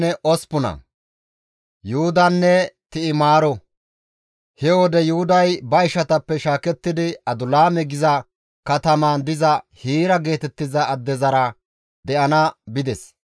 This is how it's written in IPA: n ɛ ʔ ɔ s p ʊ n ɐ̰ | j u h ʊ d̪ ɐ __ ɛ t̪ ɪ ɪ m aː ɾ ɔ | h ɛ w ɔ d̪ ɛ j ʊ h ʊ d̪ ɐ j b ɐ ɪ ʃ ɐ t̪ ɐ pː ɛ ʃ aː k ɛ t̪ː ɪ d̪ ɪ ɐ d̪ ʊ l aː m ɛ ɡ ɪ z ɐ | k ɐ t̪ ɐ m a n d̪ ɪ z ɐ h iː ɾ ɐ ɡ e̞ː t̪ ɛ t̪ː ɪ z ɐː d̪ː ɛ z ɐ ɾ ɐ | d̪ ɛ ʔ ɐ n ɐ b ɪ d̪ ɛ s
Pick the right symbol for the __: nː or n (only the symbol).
nː